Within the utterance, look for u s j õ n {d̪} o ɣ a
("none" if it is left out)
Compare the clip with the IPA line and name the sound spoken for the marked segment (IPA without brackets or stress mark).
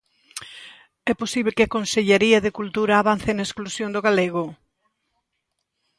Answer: d̪